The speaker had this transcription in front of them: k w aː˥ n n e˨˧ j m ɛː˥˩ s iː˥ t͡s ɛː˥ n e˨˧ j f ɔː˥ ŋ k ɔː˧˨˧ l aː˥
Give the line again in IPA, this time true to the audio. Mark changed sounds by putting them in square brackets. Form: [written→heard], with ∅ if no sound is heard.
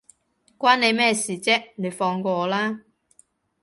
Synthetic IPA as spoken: k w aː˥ n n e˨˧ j m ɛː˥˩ s [iː˥→iː˨˩] t͡s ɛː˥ n e˨˧ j f [ɔː˥→ɔː˧] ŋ k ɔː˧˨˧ l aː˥